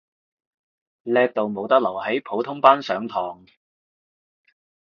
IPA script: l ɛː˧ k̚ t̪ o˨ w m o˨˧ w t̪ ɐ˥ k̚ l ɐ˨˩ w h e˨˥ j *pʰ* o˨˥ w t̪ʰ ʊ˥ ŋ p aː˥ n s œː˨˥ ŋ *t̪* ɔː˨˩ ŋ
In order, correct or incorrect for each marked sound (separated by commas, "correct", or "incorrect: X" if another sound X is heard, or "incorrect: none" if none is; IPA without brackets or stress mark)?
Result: correct, incorrect: t̪ʰ